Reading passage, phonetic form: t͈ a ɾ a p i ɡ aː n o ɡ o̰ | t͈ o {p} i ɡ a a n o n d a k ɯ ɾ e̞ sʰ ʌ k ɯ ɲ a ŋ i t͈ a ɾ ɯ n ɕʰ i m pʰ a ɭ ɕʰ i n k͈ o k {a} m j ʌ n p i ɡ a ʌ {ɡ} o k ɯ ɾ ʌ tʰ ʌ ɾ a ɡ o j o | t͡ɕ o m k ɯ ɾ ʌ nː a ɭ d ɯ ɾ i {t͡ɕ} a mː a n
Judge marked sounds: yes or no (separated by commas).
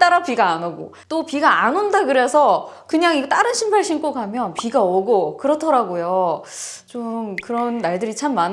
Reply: yes, yes, yes, no